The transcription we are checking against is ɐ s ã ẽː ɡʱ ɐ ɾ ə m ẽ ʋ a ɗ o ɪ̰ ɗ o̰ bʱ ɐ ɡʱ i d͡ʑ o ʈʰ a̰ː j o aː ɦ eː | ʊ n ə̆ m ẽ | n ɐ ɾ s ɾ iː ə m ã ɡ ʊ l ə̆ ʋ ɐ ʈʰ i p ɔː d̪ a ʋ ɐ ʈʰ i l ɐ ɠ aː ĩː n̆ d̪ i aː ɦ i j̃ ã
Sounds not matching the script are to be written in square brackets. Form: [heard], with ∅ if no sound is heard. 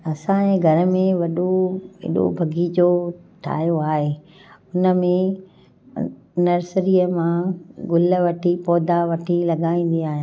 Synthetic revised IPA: ɐ s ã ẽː ɡʱ ɐ ɾ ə m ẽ ʋ [ɐ] ɗ o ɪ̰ ɗ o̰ bʱ ɐ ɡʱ i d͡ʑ o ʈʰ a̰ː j o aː ɦ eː | ʊ n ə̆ m ẽ | n ɐ ɾ s ɾ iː ə m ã ɡ ʊ l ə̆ ʋ ɐ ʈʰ i p ɔː d̪ a ʋ ɐ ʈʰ i l ɐ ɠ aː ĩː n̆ d̪ i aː ɦ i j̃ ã